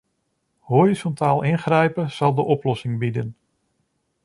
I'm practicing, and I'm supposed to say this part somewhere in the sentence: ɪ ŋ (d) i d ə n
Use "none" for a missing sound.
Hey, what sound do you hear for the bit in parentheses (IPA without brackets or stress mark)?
b